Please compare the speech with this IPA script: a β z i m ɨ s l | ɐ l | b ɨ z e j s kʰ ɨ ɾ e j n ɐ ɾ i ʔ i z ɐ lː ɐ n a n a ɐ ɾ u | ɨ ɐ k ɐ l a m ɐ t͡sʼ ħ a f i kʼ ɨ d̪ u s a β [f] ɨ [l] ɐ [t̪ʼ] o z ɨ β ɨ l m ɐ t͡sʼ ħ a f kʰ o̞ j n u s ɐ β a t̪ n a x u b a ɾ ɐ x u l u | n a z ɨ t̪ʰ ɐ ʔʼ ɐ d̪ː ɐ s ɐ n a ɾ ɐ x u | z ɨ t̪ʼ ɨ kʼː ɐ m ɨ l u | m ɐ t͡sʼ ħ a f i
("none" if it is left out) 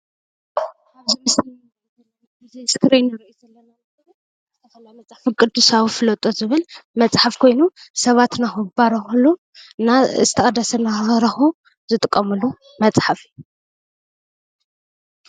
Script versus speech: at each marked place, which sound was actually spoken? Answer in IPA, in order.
f, l, t̪ʼ

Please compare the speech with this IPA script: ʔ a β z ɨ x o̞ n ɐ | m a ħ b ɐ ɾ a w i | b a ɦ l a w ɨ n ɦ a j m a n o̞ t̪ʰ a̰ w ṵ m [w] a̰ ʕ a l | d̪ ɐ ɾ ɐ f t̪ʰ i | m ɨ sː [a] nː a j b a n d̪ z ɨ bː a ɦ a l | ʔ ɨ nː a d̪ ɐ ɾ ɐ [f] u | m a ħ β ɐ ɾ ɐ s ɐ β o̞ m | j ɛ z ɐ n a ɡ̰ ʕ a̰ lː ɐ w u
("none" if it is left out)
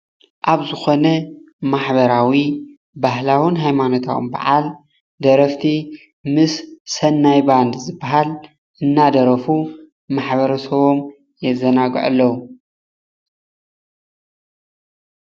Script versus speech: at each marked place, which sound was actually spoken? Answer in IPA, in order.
b, ɐ, f

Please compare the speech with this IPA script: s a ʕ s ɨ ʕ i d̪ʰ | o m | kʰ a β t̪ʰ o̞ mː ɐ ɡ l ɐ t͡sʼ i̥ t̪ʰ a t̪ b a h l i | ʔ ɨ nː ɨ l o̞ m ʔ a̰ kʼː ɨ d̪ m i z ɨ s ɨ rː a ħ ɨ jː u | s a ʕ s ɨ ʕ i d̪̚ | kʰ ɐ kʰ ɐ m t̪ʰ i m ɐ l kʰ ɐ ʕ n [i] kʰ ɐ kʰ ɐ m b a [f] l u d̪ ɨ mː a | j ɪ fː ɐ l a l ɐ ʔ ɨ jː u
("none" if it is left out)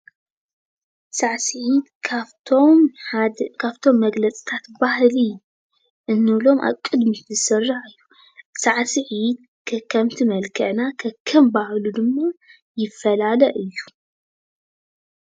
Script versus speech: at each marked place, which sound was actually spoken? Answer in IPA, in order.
a, h

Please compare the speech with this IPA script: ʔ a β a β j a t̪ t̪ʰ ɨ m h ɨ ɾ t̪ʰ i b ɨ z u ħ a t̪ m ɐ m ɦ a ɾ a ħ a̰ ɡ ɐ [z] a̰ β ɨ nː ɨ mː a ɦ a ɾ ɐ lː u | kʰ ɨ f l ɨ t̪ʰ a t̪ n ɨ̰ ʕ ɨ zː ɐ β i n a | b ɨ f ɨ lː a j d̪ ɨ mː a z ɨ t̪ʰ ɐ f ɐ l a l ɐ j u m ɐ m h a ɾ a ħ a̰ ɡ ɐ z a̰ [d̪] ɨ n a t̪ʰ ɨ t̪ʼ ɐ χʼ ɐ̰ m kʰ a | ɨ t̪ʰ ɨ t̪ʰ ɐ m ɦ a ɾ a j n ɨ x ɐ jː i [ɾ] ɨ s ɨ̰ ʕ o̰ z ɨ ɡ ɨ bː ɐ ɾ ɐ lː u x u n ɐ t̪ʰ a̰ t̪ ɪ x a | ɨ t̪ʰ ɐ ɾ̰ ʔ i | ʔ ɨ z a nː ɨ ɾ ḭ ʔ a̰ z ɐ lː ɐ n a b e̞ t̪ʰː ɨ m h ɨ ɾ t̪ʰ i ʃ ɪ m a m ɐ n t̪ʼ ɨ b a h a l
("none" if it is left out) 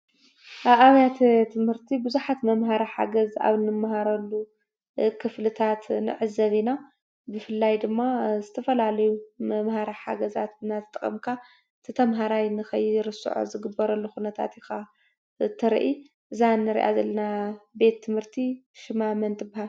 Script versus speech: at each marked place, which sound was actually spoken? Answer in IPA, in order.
z, t̪, ɾ

